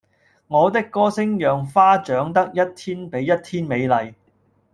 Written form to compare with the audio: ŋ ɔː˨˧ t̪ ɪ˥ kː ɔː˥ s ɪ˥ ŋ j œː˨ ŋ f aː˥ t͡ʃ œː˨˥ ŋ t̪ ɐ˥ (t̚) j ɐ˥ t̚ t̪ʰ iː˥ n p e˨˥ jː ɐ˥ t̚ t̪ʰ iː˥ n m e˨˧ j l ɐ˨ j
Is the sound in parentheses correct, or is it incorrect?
incorrect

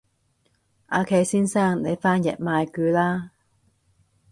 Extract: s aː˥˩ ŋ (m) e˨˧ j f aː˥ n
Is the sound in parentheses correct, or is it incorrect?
incorrect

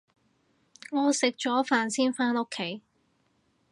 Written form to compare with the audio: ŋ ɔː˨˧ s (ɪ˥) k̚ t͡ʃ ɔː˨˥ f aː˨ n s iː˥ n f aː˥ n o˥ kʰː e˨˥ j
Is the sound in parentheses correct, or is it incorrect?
incorrect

